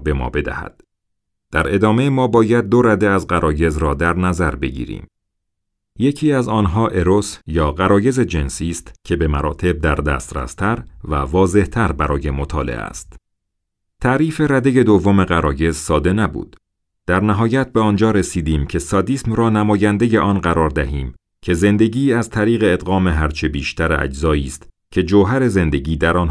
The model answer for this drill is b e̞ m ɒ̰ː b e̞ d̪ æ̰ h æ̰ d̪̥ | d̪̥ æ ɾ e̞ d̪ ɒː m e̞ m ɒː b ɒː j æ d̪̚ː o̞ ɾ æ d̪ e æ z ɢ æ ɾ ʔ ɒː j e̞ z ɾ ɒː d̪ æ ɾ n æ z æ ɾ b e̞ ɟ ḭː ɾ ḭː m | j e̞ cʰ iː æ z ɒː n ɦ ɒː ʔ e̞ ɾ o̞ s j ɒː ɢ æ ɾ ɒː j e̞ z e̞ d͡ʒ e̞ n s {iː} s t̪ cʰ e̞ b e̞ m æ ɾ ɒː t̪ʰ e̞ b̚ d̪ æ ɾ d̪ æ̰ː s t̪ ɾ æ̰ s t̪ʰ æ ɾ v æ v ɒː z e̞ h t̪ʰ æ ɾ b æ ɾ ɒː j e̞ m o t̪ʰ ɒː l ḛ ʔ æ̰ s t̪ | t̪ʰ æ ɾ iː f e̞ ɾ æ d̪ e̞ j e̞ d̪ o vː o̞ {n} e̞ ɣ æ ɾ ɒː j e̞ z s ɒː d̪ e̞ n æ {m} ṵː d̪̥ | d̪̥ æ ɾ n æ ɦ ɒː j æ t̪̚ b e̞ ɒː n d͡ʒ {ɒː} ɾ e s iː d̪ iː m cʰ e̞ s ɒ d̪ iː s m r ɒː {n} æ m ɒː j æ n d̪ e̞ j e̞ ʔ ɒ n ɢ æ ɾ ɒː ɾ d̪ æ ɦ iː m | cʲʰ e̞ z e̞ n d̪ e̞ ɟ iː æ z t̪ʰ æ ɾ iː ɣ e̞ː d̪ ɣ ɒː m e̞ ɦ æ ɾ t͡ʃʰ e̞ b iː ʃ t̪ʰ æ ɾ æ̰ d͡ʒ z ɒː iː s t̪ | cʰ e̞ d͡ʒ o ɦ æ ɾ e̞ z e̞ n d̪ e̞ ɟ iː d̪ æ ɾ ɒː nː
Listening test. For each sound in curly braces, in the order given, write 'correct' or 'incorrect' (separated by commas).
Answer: correct, incorrect, incorrect, correct, correct